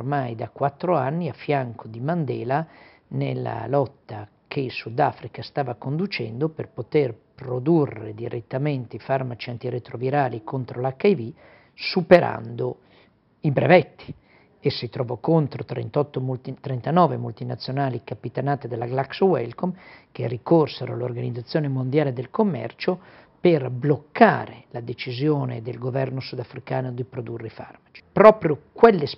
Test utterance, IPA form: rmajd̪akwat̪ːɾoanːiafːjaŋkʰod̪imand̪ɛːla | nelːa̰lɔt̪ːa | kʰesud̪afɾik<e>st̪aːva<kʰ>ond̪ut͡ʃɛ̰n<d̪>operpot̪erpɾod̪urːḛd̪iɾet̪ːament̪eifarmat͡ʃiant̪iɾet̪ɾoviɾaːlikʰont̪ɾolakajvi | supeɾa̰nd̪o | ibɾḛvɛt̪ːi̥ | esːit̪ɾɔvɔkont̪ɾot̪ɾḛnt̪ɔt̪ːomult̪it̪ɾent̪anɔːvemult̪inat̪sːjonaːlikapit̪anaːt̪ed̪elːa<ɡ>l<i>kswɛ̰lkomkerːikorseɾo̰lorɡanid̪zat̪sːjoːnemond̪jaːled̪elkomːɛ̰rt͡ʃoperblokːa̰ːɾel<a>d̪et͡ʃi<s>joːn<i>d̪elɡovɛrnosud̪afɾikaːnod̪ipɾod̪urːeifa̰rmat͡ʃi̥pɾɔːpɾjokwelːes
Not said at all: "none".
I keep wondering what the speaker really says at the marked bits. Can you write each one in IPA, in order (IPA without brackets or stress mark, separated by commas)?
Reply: a, k, d̪, ɡ, a, a, z, e